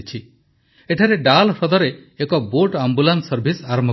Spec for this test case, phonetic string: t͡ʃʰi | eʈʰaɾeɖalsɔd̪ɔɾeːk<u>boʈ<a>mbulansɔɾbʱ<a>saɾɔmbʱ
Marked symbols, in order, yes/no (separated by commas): no, yes, no